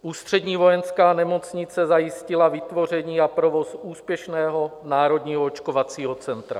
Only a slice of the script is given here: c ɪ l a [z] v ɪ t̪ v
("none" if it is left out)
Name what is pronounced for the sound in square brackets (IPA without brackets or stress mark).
none